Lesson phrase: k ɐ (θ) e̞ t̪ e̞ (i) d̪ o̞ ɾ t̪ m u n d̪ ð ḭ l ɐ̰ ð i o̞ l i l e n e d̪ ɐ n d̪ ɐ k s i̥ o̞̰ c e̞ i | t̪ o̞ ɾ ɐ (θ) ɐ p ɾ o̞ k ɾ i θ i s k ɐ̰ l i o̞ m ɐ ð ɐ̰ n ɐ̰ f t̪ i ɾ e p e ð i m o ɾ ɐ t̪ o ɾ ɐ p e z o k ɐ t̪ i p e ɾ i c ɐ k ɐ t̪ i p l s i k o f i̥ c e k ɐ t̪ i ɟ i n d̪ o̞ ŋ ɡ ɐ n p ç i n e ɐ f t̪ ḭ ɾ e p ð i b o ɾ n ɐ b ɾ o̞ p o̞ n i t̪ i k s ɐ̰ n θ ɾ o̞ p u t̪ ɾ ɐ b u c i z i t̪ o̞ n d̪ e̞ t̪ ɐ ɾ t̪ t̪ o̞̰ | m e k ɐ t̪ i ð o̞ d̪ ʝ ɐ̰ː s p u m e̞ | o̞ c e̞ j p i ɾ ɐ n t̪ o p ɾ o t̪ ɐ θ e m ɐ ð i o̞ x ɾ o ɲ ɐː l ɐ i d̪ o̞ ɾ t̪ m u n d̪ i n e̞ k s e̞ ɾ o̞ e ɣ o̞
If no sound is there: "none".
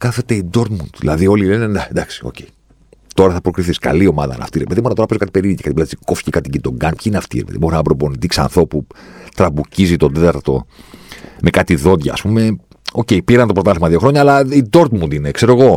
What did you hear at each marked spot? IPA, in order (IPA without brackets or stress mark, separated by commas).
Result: θ, i, θ